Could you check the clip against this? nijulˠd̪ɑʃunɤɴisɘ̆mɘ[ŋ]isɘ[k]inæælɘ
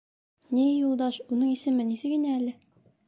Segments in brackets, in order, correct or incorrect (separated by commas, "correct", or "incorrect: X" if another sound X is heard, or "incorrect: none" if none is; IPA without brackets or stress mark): incorrect: n, incorrect: ɡ